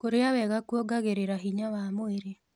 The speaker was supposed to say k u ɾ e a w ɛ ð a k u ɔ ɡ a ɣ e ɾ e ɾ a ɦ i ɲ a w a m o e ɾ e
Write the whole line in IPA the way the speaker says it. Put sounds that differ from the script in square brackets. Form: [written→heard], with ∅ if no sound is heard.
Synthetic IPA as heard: k [u→o] ɾ e a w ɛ [ð→ɣ] a k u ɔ ɡ a ɣ e ɾ e ɾ a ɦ i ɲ a w a m o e ɾ e